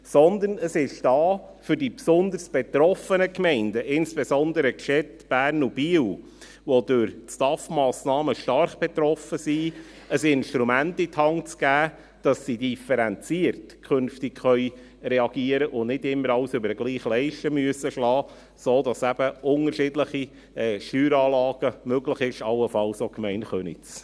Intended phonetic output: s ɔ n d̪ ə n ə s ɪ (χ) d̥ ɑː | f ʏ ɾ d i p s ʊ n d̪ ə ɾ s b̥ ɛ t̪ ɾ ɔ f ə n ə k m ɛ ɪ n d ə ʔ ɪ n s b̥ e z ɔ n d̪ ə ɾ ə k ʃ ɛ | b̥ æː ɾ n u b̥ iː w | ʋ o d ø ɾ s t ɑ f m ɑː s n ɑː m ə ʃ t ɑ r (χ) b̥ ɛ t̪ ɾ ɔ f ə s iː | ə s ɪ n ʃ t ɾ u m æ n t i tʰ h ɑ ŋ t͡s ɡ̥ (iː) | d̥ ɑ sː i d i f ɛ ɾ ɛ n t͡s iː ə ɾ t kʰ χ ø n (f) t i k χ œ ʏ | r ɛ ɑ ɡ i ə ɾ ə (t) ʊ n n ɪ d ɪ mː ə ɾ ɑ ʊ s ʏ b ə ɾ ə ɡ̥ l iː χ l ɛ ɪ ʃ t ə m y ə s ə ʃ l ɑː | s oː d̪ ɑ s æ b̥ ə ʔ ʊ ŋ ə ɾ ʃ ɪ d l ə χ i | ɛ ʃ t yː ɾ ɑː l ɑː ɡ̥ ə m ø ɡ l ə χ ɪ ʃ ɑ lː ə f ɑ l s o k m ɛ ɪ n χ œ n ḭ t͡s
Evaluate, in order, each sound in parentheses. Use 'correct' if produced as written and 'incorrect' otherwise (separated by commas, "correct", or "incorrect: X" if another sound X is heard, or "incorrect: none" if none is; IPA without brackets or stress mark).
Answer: incorrect: ʃ, correct, incorrect: æː, correct, incorrect: ʔ